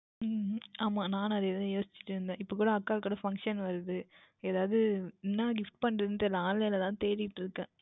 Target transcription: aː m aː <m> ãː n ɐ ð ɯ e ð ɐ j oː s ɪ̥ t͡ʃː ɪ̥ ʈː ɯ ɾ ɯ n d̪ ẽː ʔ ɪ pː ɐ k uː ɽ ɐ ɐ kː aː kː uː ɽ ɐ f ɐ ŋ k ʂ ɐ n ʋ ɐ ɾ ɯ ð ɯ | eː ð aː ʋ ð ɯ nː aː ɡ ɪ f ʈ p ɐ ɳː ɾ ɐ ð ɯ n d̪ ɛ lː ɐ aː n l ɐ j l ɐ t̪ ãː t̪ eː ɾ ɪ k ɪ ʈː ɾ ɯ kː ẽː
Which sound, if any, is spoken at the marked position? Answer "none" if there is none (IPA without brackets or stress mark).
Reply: n